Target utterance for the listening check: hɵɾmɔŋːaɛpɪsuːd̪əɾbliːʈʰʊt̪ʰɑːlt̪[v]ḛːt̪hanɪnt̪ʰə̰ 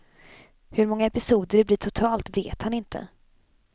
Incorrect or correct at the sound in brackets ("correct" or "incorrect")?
correct